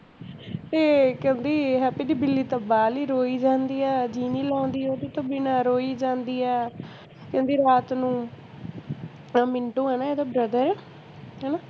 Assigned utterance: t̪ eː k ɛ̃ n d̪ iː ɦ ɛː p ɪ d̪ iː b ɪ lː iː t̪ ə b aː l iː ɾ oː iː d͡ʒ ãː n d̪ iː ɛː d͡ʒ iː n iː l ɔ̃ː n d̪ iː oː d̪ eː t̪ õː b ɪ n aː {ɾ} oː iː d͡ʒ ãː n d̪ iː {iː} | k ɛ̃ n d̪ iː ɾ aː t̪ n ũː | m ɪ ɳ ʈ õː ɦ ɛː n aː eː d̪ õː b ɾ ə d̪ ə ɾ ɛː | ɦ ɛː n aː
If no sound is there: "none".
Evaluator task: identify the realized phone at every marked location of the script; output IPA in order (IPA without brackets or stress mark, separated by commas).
ɾ, ɛː